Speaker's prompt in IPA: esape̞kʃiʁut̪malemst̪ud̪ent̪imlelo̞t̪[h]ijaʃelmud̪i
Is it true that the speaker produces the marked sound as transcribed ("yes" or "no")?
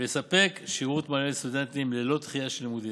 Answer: no